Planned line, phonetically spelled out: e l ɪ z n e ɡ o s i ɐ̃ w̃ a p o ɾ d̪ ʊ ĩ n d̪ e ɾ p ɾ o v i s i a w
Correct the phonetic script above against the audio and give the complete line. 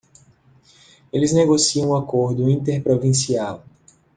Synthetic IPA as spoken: e l ɪ z n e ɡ o s i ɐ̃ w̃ a k o ɾ d̪ ʊ ĩ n t̪ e ɾ p ɾ o v ĩ s i a w